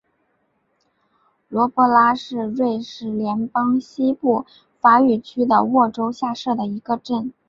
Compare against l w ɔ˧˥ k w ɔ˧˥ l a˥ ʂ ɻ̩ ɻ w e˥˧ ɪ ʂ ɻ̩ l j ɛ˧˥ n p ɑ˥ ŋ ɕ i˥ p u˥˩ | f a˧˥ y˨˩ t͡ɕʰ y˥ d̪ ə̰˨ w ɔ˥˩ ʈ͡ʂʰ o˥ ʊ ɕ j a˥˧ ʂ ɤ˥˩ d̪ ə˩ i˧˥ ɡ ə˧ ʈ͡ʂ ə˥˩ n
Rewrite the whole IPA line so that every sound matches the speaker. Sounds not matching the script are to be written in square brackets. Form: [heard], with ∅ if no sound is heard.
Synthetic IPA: l w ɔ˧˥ [p] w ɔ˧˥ l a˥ ʂ ɻ̩ ɻ w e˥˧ ɪ ʂ ɻ̩ l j ɛ˧˥ n p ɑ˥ ŋ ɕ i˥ p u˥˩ | f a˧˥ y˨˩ t͡ɕʰ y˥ d̪ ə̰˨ w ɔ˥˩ [ʈ͡ʂ] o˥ ʊ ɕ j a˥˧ ʂ ɤ˥˩ d̪ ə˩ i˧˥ ɡ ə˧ ʈ͡ʂ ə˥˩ n